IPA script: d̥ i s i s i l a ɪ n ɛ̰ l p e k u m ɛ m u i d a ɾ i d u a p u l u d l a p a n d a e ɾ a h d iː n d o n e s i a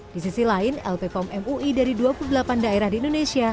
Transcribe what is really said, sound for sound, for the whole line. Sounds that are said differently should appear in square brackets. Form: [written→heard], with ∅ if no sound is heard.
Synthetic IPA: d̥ i s i s i l a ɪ n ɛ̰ l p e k [u→ɔ] m ɛ m u i d a ɾ i d u a p u l u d l a p a n d a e ɾ a h d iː n d o n e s i a